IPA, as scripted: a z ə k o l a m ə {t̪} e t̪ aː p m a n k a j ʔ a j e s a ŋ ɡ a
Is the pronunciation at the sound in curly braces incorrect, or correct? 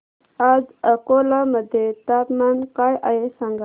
incorrect